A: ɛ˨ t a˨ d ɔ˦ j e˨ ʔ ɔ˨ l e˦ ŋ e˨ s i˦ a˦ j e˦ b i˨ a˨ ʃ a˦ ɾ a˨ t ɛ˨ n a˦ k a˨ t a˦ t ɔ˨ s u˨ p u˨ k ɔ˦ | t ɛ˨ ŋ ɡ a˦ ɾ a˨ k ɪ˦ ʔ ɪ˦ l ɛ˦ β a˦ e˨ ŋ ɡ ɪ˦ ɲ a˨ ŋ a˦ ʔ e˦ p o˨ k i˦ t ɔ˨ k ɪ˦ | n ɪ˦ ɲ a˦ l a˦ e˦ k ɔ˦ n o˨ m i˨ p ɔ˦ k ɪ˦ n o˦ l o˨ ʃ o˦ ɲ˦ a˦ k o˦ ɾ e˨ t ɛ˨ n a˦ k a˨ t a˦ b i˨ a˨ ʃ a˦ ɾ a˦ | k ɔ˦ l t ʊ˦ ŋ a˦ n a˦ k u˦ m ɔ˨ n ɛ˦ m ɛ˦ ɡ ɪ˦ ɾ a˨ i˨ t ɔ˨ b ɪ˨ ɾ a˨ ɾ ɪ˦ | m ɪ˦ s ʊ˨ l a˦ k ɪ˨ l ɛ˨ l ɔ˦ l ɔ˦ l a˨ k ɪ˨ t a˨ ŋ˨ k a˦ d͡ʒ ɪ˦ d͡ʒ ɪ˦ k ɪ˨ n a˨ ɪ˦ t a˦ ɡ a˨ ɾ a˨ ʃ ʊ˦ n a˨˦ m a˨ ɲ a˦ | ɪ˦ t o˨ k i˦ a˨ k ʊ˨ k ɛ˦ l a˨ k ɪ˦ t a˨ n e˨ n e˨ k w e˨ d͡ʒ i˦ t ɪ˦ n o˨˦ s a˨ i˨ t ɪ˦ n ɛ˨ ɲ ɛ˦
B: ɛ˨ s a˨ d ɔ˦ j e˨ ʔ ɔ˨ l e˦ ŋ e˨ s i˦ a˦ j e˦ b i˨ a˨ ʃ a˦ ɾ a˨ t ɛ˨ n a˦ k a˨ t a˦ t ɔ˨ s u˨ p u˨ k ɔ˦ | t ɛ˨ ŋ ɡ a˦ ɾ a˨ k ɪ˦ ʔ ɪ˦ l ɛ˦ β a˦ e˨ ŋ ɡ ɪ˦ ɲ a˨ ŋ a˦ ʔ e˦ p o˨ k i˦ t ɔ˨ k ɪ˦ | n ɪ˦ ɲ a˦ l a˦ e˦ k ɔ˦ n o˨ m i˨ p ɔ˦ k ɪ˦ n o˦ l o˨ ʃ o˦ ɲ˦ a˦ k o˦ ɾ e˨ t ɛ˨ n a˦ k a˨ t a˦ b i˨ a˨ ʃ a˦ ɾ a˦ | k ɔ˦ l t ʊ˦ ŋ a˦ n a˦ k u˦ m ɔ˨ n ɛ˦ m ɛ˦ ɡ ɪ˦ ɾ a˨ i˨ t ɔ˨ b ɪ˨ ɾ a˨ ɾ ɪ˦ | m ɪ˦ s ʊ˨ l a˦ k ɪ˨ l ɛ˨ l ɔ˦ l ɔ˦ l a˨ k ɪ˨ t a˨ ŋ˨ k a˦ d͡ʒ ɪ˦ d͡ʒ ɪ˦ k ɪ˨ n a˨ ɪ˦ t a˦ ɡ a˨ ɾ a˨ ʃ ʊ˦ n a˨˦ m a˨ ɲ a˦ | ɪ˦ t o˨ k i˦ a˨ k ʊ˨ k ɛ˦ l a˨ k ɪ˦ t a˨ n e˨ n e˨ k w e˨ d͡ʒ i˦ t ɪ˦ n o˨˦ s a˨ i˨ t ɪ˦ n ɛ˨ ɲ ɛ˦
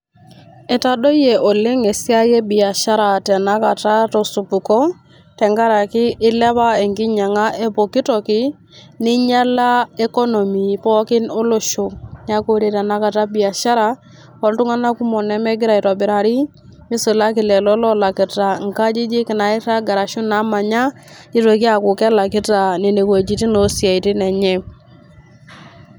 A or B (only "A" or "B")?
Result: A